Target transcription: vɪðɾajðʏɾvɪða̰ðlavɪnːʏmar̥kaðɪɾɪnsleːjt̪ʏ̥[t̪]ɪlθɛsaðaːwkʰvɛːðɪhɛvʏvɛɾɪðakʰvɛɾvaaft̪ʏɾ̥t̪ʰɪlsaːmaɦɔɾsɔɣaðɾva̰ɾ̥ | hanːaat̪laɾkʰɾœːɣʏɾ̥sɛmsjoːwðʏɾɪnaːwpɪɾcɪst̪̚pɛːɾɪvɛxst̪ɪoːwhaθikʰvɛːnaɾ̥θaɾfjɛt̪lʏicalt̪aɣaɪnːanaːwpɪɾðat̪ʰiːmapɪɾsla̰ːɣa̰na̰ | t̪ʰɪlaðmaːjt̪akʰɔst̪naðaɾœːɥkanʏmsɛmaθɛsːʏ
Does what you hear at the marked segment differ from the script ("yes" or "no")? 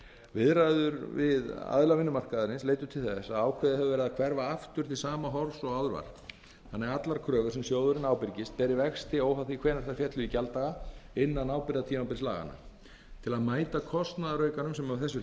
yes